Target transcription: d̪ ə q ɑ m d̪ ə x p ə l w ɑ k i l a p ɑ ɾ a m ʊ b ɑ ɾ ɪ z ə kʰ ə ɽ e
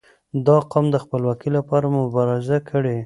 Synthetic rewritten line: d̪ ɑ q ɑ m d̪ ə x p ə l w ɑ k i l a p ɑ ɾ a m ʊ b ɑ ɾ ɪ z a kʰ ə ɽ e

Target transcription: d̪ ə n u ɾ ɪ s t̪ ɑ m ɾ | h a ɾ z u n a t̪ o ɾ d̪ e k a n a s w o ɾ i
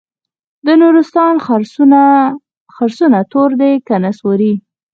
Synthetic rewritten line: d̪ ə n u ɾ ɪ s t̪ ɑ n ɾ | x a ɾ s u n a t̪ o ɾ d̪ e k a n a s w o ɾ i

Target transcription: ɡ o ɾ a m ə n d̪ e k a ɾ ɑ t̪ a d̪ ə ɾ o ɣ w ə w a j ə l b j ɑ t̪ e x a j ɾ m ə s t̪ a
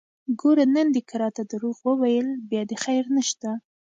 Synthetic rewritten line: ɡ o ɾ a n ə n d̪ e k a ɾ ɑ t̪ a d̪ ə ɾ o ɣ w ə w a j ə l b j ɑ d̪ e x a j ɾ n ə ʃ t̪ a

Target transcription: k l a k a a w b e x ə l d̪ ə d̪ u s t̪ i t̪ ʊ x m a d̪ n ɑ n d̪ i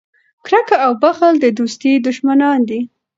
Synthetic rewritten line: k ɾ a k a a w b a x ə l d̪ ə d̪ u s t̪ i d̪ ʊ ʃ m a n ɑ n d̪ i

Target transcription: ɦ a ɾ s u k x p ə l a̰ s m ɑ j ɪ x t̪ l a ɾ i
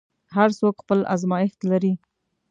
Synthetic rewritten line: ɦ a ɾ s o k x p ə l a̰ z m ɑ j ɪ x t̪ l a ɾ i

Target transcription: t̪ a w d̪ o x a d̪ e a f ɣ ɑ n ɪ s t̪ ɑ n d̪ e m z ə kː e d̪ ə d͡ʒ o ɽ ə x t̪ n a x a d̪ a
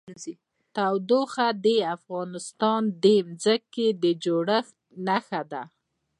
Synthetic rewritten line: t̪ a w d̪ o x a d̪ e a f ɣ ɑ n ɪ s t̪ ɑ n d̪ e m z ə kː e d̪ ə d͡ʒ o ɽ ə x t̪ n a x a d̪ a

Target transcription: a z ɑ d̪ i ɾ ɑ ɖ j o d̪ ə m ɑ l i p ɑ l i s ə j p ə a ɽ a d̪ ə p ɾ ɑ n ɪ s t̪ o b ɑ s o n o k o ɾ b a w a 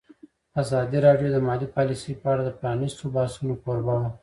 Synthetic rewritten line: a z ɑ d̪ i ɾ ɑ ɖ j o d̪ ə m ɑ l i p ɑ l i s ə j p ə a ɽ a d̪ ə p ɾ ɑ n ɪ s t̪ o b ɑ s u n o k o ɾ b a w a

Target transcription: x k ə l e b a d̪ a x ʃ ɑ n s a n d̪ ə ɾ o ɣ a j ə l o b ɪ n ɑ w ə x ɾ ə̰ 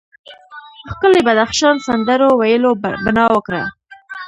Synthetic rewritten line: x k ə l e b a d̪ a x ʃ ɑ n s a n d̪ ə ɾ o w a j ə l o b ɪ n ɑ w ə k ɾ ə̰

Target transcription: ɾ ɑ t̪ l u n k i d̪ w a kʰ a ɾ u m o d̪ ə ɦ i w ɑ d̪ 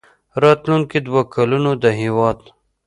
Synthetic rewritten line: ɾ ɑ t̪ l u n k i d̪ w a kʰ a l u n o d̪ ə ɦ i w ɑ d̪

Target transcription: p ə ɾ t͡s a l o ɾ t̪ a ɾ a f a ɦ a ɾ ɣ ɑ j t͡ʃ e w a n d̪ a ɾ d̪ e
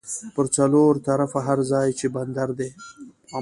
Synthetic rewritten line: p ə ɾ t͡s a l o ɾ t̪ a ɾ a f a ɦ a ɾ z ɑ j t͡ʃ e b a n d̪ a ɾ d̪ e

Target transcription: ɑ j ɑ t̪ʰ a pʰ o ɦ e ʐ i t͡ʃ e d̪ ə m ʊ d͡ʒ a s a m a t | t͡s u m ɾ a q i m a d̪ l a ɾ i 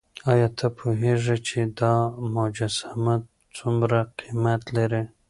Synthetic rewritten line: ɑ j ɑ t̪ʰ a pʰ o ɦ e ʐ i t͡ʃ e d̪ ɑ m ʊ d͡ʒ a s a m a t | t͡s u m ɾ a q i m a t̪ l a ɾ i

